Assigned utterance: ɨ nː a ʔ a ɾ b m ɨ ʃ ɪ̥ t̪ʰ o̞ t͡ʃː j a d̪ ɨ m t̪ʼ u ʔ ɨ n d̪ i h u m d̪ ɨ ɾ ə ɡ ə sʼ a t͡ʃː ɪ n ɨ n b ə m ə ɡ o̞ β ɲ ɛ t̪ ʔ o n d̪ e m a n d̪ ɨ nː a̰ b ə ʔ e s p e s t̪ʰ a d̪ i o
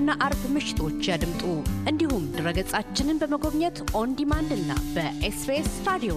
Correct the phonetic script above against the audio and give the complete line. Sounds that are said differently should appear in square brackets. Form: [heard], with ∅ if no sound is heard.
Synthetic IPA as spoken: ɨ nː a ʔ a ɾ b m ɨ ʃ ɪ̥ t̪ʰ o̞ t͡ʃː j a d̪ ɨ m t̪ʼ u ʔ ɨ n d̪ i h u m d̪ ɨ ɾ ə ɡ ə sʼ a t͡ʃː ɪ n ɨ n b ə m ə ɡ o̞ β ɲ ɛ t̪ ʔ o n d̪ [i] m a n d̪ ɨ nː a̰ b ə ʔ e s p e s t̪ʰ a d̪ i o